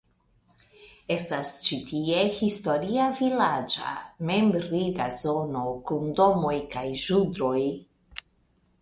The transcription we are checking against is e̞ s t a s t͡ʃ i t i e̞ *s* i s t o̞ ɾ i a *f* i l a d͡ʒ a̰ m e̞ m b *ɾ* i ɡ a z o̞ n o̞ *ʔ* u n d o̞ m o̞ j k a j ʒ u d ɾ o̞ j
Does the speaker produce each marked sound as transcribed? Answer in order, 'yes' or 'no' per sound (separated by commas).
no, no, yes, no